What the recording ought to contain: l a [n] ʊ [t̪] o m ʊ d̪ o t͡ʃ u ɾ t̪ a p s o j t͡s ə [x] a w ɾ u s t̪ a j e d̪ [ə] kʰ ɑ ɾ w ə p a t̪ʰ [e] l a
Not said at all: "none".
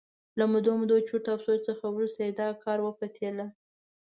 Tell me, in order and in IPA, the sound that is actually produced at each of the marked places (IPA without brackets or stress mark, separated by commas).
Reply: m, d̪, x, ɑ, e